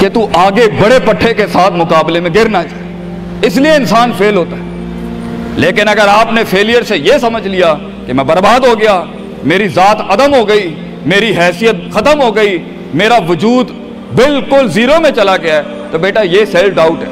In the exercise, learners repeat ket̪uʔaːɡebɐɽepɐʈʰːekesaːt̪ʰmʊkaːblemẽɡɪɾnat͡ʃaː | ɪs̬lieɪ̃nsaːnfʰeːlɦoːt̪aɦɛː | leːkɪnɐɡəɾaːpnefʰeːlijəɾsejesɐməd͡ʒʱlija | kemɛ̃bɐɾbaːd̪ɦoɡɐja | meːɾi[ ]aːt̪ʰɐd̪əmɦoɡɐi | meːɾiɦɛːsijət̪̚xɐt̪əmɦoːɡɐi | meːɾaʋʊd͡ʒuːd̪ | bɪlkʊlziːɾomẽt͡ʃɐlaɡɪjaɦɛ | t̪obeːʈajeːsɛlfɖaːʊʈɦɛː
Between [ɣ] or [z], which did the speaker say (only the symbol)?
z